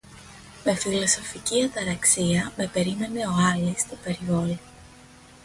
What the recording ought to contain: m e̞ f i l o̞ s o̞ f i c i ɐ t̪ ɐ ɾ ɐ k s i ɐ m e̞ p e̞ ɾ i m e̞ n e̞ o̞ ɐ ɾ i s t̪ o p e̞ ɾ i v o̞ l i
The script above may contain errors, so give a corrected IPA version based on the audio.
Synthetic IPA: m e̞ f i l o̞ s o̞ f i c i ɐ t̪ ɐ ɾ ɐ k s i ɐ m e̞ p e̞ ɾ i m e̞ n e̞ o̞ ɐ l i s t̪ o p e̞ ɾ i v o̞ l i